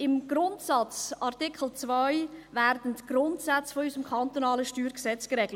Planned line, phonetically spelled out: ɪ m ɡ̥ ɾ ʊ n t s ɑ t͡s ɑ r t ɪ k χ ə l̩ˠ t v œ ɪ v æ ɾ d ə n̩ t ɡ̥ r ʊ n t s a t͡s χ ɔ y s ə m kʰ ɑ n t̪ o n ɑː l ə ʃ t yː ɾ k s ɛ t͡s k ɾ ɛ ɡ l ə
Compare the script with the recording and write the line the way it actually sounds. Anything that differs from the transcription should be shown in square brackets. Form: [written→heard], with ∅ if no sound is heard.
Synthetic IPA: ɪ m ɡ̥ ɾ ʊ n t s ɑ t͡s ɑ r t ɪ k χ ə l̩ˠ [t→t͡s] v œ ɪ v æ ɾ d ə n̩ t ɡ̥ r ʊ n t s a t͡s [χ→f] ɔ y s ə m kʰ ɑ n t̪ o n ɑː l ə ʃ t yː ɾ k s ɛ t͡s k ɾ ɛ ɡ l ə